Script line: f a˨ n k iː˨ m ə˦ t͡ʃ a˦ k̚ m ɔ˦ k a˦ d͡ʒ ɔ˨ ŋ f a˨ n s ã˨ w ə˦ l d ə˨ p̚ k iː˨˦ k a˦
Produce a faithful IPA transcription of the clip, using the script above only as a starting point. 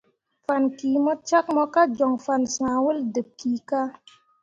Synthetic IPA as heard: f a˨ n k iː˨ m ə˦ t͡ʃ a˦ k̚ m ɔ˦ k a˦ d͡ʒ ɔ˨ ŋ f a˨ n s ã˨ w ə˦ l d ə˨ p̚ k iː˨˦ k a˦